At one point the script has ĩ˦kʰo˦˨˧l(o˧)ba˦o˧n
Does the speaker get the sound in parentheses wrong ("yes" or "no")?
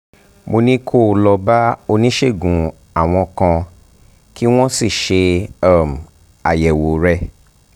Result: yes